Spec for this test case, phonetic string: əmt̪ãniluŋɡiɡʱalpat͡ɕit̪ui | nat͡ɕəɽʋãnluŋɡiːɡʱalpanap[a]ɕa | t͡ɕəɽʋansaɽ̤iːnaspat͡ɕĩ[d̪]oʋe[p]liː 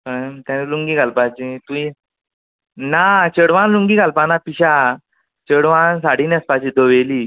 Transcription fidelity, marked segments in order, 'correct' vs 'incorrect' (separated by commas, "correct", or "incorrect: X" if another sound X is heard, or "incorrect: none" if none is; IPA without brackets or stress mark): incorrect: i, correct, incorrect: none